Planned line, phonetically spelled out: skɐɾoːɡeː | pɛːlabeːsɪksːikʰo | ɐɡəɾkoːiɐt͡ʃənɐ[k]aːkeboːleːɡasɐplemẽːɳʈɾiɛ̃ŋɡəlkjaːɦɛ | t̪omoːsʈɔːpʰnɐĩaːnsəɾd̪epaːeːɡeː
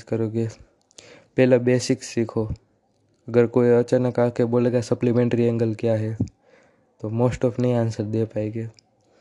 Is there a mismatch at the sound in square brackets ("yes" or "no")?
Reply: no